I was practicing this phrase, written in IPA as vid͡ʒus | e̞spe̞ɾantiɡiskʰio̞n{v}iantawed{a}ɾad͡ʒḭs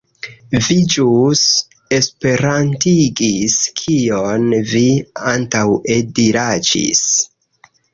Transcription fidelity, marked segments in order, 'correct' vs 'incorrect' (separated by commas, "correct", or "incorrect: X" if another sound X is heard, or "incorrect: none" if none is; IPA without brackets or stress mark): correct, incorrect: i